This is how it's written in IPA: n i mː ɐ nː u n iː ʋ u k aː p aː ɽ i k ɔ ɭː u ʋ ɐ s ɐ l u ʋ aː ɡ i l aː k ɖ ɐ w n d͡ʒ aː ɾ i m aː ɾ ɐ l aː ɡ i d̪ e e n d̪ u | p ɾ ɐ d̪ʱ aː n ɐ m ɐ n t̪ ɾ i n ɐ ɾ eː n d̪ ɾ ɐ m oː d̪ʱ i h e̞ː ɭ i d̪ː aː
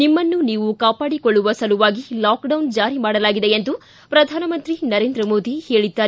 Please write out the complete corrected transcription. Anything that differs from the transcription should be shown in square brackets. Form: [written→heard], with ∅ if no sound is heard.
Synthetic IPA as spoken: n i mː ɐ nː u n iː ʋ u k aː p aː ɽ i k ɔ ɭː u ʋ ɐ s ɐ l u ʋ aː ɡ i l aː k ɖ ɐ w n d͡ʒ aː ɾ i m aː [ɾ→ɽ] ɐ l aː ɡ i d̪ e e n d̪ u | p ɾ ɐ d̪ʱ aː n ɐ m ɐ n t̪ ɾ i n ɐ ɾ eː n d̪ ɾ ɐ m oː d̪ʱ i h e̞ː ɭ i d̪ː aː